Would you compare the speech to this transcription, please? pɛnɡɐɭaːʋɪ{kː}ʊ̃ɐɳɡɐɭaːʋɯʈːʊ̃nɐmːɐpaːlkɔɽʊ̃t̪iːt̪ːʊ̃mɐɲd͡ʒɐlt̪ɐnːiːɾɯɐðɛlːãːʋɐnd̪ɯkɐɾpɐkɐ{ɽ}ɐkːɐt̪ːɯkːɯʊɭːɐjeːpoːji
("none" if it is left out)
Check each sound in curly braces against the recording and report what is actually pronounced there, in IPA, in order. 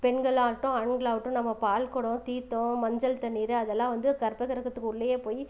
ʈː, ɾ

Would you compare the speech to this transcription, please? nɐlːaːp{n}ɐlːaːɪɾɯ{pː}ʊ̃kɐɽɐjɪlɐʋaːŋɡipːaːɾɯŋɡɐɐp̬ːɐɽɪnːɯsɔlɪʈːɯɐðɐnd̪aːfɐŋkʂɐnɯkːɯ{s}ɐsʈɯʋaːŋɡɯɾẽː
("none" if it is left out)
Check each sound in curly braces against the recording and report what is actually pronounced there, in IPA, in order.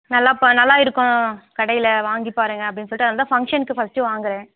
n, kː, f

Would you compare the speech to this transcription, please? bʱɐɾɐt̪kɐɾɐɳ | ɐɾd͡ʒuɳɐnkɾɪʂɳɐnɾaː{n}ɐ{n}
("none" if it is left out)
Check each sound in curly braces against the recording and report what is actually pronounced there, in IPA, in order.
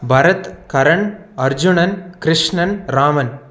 m, n

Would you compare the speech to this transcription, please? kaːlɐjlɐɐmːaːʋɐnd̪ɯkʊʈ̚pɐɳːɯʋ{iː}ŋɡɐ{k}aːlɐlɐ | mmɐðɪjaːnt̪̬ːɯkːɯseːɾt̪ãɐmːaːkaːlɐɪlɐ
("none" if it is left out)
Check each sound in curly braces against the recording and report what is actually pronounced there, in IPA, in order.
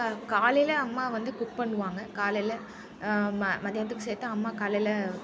aː, k

